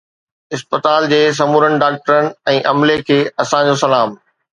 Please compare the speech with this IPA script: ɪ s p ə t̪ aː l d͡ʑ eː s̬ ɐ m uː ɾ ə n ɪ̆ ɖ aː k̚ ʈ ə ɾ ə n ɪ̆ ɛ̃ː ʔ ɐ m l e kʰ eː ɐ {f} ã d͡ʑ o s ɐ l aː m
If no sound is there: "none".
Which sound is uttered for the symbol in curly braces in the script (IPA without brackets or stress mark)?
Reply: s